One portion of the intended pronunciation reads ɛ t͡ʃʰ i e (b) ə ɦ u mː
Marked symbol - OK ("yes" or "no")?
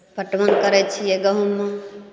no